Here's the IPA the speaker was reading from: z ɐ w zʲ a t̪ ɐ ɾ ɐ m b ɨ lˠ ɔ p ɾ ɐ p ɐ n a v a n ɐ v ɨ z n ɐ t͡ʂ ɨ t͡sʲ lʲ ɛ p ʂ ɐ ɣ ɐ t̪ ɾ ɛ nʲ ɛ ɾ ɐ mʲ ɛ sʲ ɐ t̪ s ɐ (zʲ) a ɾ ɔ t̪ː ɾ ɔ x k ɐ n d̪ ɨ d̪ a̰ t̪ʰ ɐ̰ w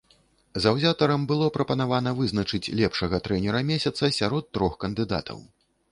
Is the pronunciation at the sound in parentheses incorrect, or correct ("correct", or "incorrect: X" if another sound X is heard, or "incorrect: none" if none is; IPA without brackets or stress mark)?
incorrect: sʲ